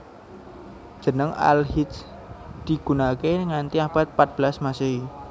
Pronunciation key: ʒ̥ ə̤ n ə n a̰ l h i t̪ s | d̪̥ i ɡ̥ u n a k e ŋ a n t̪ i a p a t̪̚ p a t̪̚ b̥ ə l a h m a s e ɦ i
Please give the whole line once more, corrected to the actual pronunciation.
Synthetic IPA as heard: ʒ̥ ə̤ n ə ŋ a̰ l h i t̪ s | d̪̥ i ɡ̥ u n a k e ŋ a n t̪ i a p a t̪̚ p a t̪̚ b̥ ə l a s m a s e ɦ i